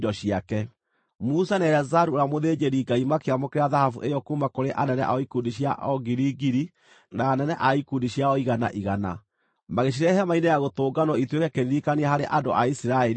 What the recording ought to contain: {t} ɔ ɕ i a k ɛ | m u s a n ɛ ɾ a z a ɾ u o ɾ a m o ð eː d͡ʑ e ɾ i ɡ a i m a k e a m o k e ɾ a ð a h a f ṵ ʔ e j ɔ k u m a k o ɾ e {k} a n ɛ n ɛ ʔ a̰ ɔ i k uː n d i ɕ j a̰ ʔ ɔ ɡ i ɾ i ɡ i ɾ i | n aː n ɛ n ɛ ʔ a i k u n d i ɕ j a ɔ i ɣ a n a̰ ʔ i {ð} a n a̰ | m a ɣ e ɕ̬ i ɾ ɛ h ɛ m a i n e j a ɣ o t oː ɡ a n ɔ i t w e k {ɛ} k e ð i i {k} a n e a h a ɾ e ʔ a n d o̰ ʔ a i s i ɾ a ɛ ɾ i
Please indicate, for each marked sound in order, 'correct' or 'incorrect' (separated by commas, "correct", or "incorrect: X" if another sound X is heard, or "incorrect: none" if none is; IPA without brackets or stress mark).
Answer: incorrect: d, incorrect: ʔ, incorrect: ɣ, correct, correct